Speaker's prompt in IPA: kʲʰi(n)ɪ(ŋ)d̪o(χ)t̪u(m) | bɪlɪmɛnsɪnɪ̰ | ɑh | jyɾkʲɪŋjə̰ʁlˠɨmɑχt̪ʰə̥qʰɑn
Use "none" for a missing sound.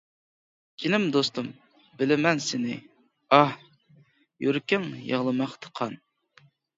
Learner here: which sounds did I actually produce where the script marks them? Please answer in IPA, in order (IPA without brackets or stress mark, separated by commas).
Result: n, m, s, m